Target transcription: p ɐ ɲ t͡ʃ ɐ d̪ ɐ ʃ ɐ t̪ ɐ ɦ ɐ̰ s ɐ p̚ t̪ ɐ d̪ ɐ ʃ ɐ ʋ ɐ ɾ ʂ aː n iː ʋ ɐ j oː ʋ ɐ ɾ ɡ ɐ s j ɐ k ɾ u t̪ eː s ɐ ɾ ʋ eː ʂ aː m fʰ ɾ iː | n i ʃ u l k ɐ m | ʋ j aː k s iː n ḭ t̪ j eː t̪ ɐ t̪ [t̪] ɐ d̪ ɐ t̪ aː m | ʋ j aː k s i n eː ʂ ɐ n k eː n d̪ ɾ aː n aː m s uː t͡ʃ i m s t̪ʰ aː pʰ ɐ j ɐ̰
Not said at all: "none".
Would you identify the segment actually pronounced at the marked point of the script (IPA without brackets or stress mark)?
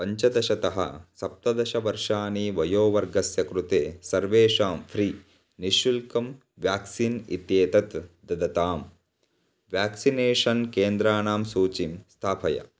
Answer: d̪